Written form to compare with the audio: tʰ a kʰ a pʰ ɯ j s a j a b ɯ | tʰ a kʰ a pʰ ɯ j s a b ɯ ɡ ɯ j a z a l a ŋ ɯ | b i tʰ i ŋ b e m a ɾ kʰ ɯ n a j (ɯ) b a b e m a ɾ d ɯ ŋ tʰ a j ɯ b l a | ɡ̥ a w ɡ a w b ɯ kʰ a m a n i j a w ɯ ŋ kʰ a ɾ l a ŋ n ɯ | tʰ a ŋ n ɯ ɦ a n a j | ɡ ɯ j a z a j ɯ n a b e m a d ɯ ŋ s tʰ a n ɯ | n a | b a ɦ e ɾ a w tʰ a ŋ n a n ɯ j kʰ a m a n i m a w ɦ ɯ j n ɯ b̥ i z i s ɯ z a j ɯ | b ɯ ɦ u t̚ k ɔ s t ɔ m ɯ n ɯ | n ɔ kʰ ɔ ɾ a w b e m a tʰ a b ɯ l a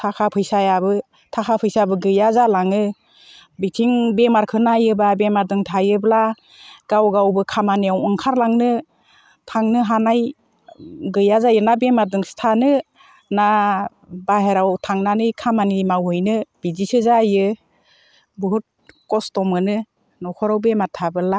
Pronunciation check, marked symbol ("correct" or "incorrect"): correct